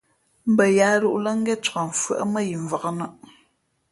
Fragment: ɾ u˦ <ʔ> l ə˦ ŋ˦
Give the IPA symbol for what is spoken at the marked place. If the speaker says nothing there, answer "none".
ʔ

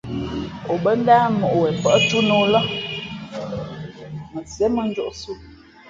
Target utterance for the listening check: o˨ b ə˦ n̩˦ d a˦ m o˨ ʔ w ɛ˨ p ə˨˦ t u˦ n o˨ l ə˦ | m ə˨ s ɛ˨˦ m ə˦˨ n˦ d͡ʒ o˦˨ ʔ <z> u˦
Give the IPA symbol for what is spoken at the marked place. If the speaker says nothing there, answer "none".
s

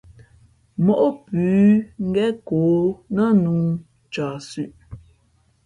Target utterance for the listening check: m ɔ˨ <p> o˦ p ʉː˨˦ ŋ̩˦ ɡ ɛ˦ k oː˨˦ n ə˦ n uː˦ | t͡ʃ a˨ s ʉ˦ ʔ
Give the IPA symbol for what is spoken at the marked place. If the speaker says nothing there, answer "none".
ʔ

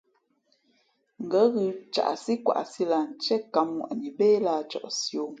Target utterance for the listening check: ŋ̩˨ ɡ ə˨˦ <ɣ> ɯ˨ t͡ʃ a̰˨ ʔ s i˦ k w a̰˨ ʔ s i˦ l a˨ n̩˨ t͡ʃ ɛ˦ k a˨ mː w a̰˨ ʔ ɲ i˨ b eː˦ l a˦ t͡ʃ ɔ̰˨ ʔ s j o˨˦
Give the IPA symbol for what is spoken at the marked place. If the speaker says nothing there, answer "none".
ɣ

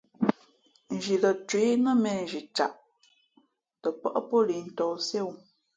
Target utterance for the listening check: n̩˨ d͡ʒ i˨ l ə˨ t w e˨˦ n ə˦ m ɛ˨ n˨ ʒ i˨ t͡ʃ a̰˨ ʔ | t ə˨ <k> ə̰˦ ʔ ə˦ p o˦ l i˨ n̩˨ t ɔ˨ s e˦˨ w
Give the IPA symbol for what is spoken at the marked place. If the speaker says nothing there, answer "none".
p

